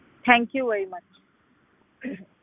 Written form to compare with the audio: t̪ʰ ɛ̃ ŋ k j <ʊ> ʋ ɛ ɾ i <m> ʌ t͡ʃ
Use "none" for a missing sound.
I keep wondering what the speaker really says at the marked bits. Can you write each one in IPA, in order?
u, m

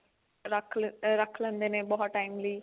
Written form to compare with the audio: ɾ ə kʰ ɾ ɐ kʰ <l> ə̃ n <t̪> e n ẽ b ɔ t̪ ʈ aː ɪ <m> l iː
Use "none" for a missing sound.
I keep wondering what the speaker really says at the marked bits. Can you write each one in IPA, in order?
l, d̪, m

